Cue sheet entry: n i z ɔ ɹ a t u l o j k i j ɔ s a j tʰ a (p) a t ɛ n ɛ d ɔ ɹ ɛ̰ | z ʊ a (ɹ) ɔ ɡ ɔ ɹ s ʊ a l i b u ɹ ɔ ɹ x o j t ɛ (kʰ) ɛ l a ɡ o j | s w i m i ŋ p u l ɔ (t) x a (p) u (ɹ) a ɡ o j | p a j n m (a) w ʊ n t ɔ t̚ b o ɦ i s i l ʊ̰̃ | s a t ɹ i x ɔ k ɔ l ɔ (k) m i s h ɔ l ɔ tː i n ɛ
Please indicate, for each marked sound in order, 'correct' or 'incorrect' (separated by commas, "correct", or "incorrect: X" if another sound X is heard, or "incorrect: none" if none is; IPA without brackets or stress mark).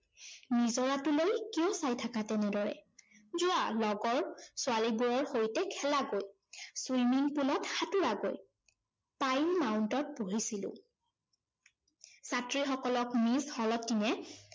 incorrect: k, incorrect: l, correct, correct, incorrect: t, correct, correct, correct